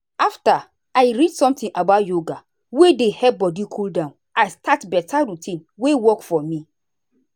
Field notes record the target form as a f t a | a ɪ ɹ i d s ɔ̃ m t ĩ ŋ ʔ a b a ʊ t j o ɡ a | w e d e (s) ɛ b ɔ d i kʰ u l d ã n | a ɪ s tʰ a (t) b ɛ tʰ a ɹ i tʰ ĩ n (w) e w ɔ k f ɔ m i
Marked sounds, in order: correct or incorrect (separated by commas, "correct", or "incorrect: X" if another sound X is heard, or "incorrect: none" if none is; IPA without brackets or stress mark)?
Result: incorrect: h, correct, correct